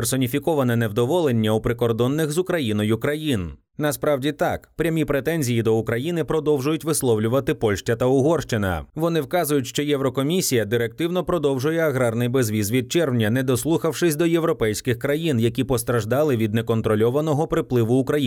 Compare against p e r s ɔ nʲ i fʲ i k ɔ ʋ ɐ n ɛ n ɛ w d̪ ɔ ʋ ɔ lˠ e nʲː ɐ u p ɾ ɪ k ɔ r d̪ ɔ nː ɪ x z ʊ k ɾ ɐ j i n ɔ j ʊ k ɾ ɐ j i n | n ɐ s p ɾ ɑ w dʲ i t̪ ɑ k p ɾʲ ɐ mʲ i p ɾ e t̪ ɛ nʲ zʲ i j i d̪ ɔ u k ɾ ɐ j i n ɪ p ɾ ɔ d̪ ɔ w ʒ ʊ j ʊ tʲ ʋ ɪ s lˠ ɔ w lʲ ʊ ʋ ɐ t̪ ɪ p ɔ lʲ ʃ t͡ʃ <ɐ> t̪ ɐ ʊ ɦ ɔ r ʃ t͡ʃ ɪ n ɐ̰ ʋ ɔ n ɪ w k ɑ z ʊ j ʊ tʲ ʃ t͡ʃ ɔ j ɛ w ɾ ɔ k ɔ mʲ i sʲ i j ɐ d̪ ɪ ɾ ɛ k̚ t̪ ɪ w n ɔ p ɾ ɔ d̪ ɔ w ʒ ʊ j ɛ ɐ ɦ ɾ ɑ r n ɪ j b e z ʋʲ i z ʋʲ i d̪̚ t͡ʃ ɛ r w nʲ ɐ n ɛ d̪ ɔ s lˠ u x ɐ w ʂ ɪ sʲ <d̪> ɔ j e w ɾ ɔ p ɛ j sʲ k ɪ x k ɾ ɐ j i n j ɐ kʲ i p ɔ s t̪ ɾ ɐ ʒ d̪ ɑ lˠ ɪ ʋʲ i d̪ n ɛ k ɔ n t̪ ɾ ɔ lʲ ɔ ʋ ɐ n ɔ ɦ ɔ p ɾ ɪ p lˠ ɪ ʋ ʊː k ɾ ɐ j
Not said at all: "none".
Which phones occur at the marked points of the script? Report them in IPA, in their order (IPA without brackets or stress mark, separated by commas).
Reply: ɐ, d̪